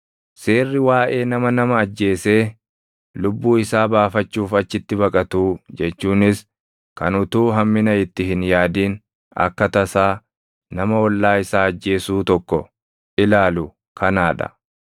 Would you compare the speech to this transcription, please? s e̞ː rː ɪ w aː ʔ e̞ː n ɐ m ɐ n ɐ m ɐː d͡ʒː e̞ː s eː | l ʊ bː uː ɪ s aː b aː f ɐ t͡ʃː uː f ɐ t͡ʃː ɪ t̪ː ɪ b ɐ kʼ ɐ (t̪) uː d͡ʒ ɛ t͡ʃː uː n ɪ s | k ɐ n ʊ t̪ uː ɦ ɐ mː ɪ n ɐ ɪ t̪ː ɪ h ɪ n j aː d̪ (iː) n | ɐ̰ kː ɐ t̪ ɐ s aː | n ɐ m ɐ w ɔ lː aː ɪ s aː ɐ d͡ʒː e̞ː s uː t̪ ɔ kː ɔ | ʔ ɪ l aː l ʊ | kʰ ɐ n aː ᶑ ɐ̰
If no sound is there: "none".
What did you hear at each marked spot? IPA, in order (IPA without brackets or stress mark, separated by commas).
t̪, iː